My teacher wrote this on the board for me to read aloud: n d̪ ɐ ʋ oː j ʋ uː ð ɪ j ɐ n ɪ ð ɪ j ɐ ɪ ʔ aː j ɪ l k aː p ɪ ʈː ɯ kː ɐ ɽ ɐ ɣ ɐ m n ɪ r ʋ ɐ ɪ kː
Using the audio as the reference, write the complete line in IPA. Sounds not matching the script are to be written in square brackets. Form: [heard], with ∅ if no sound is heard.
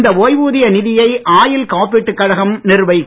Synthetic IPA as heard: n d̪ ɐ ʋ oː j ʋ uː ð ɪ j ɐ n ɪ ð ɪ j ɐ ɪ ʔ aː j ɪ l k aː p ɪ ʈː ɯ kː ɐ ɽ ɐ ɣ ɐ m n ɪ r ʋ ɐ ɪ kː

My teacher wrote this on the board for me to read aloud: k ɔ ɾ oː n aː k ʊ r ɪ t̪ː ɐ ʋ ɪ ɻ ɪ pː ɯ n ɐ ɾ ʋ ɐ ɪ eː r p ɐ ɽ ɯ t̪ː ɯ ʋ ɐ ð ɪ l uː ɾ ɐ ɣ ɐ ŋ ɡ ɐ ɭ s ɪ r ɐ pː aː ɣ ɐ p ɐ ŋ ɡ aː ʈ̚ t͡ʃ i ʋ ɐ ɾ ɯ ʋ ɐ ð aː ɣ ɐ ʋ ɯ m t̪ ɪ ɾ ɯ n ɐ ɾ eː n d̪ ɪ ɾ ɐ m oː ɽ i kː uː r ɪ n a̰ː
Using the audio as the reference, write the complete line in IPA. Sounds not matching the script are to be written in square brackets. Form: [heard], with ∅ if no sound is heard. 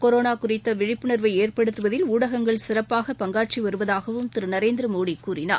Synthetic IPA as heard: k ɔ ɾ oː n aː k ʊ r ɪ t̪ː ɐ ʋ ɪ ɻ ɪ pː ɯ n ɐ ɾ ʋ ɐ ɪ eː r p ɐ ɽ ɯ t̪ː ɯ ʋ ɐ ð ɪ l uː [ɽ] ɐ ɣ ɐ ŋ ɡ ɐ ɭ s ɪ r ɐ pː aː ɣ ɐ p ɐ ŋ ɡ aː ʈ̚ t͡ʃ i ʋ ɐ ɾ ɯ ʋ ɐ ð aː ɣ ɐ ʋ ɯ m t̪ ɪ ɾ ɯ n ɐ ɾ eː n d̪ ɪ ɾ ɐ m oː ɽ i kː uː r ɪ n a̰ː

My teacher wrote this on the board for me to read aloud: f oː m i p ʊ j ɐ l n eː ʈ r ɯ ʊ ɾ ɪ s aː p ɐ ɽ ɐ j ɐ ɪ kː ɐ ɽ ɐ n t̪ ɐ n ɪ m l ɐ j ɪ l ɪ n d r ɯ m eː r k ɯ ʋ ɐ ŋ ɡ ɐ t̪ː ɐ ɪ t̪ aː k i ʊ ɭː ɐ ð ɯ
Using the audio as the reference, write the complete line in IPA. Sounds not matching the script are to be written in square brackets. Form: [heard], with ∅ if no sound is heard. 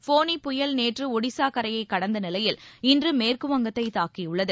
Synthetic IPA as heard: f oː [n] i p ʊ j ɐ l n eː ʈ r ɯ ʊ [ɽ] ɪ s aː [k] ɐ [ɾ] ɐ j ɐ ɪ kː ɐ ɽ ɐ n [d̪] ɐ n ɪ [∅] l ɐ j ɪ l ɪ n d r ɯ m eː r k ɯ ʋ ɐ ŋ ɡ ɐ t̪ː ɐ ɪ t̪ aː k i ʊ ɭː ɐ ð ɯ

